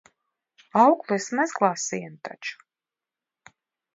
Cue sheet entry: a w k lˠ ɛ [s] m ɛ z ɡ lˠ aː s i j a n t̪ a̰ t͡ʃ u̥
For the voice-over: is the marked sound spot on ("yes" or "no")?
yes